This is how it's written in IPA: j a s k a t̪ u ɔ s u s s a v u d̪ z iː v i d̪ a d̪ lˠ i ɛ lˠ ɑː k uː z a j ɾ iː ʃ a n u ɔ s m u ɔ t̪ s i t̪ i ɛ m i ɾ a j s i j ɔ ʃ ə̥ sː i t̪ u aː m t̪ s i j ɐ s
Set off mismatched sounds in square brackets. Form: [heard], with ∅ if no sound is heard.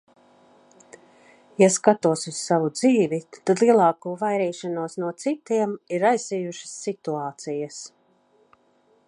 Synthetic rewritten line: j a s k a t̪ u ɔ s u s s a v u d̪ z iː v i [t̪] a d̪ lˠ i ɛ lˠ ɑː k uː [v] a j ɾ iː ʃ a n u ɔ s [n] u ɔ t̪ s i t̪ i ɛ m i ɾ a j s i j [u] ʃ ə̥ sː i t̪ u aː [∅] t̪ s i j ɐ s